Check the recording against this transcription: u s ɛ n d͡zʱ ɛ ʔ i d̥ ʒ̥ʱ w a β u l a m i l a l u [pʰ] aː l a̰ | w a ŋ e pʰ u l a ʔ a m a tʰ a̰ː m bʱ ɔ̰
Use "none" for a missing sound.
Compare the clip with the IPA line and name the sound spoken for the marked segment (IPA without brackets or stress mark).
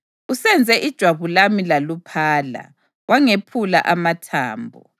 pʰ